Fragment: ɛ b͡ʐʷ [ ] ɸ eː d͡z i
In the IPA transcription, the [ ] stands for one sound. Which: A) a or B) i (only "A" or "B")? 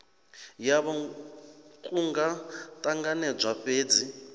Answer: A